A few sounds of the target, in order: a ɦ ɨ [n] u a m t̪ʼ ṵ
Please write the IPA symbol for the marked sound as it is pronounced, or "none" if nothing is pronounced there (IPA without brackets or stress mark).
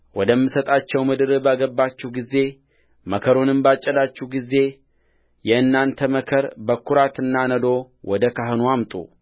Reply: n